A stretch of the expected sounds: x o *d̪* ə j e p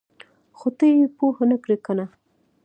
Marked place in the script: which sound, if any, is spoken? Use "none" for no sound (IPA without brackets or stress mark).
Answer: t̪